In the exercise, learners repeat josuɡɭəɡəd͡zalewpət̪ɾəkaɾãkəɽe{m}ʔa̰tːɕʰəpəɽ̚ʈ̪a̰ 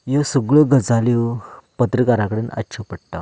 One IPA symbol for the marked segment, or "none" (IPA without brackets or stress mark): n